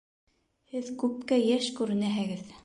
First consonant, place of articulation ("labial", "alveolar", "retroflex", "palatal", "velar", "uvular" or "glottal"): glottal